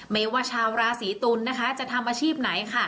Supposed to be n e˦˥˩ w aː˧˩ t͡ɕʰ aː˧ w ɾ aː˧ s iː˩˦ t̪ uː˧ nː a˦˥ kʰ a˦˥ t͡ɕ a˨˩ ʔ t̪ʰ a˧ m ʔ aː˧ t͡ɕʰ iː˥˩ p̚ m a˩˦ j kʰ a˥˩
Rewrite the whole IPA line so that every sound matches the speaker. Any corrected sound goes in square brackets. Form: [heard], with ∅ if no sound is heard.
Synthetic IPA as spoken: [m] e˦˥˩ w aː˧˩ t͡ɕʰ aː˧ w ɾ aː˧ s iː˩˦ t̪ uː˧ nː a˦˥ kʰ a˦˥ t͡ɕ a˨˩ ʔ t̪ʰ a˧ m ʔ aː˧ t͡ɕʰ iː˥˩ p̚ [n] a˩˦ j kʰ a˥˩

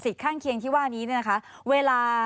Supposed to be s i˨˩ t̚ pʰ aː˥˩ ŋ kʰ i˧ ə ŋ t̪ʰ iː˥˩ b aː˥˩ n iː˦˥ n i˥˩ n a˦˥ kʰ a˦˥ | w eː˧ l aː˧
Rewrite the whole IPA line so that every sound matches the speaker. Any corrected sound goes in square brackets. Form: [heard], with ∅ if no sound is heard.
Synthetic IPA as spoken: s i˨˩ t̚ [kʰ] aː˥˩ ŋ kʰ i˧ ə ŋ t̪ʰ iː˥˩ [w] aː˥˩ n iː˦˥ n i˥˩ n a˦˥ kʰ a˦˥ | w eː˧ l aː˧

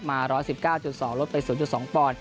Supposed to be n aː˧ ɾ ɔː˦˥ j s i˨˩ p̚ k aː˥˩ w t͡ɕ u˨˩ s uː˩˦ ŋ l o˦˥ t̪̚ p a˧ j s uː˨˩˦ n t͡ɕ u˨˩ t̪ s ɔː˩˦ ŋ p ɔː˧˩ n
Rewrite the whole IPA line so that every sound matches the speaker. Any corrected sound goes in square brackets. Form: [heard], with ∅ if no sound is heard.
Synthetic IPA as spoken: [m] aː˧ ɾ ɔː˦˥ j s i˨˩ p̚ k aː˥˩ w t͡ɕ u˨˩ s [ɔː˩˦] ŋ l o˦˥ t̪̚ p a˧ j s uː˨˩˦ n t͡ɕ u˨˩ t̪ s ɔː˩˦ ŋ p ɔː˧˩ n

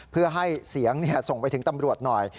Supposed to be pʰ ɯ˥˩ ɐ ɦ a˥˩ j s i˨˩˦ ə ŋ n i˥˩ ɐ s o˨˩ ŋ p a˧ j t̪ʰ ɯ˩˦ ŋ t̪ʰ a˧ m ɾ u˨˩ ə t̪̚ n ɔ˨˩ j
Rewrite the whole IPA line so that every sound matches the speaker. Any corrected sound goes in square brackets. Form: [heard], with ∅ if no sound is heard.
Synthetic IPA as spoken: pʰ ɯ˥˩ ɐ ɦ a˥˩ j s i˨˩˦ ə ŋ n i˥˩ ɐ s o˨˩ ŋ p a˧ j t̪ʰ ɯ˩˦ ŋ [t̪] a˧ m ɾ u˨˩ ə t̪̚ n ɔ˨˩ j

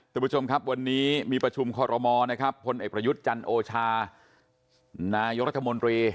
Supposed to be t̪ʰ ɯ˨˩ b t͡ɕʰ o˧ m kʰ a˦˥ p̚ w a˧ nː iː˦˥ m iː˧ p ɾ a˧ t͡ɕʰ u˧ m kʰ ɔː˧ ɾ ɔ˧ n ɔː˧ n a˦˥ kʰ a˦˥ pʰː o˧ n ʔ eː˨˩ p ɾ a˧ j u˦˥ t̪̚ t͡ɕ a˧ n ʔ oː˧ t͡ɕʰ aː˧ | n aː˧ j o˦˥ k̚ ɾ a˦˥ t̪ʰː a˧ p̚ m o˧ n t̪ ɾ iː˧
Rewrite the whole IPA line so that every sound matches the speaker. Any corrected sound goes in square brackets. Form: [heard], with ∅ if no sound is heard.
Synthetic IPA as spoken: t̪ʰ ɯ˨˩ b t͡ɕʰ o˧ m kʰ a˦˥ p̚ w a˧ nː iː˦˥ m iː˧ p ɾ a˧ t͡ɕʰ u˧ m kʰ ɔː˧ ɾ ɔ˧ [m] ɔː˧ n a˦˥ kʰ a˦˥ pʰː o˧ n ʔ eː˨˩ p ɾ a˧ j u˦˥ t̪̚ t͡ɕ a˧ n ʔ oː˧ t͡ɕʰ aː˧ | n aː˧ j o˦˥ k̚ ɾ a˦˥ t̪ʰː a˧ [∅] m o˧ n t̪ ɾ iː˧

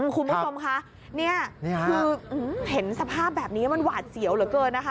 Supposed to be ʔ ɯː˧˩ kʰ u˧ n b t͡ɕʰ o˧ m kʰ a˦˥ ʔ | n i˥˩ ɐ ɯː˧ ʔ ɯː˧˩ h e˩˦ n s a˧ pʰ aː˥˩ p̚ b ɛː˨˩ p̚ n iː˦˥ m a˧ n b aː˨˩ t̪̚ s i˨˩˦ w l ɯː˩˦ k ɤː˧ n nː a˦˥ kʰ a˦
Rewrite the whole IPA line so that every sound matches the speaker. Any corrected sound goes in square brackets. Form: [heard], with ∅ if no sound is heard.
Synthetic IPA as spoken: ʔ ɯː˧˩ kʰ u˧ n b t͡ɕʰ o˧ m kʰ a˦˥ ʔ | n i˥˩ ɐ ɯː˧ ʔ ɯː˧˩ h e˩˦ n s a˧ pʰ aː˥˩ p̚ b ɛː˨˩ p̚ n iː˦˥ m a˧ n [w] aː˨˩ t̪̚ s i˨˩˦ w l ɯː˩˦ k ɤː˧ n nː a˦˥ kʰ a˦

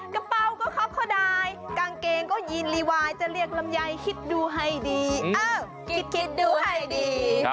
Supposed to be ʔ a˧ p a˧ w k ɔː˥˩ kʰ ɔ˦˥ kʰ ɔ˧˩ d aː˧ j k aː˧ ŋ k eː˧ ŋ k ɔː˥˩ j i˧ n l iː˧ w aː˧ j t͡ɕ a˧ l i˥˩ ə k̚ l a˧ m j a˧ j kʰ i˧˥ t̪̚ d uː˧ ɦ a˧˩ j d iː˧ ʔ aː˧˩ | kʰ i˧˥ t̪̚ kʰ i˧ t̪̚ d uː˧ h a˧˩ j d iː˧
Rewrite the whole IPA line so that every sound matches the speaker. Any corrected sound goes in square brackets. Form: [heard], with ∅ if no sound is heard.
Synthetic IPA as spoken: [k] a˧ p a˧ w k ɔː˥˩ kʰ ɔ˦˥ kʰ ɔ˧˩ d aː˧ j k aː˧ ŋ k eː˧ ŋ k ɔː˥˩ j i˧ n l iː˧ w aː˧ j t͡ɕ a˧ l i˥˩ ə k̚ l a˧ m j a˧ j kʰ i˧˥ t̪̚ d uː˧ ɦ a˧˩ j d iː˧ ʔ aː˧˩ | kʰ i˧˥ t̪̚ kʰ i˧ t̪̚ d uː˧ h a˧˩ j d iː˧

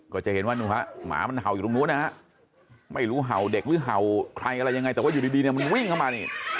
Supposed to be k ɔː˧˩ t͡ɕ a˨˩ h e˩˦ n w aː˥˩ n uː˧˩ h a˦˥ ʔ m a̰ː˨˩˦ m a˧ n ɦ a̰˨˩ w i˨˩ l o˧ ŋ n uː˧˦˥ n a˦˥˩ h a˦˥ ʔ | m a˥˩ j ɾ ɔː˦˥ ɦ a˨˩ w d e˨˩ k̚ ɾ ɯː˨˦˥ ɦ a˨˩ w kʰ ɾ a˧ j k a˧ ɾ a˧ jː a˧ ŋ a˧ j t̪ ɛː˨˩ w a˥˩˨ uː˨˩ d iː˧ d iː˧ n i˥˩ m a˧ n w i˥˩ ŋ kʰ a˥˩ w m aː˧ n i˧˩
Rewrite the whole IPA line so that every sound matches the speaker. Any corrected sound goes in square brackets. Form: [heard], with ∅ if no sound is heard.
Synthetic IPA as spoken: k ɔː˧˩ t͡ɕ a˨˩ h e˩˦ n w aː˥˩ n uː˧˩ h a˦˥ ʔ m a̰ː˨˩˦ m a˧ n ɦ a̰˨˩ w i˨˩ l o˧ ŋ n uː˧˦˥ n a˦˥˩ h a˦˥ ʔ | m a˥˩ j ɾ [uː˦˥] ɦ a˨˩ w d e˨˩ k̚ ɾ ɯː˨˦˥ ɦ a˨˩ w kʰ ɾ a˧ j [ʔ] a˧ ɾ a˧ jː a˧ ŋ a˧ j t̪ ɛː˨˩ w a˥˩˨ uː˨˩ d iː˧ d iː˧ n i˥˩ m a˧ n w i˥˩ ŋ kʰ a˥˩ w m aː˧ n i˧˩

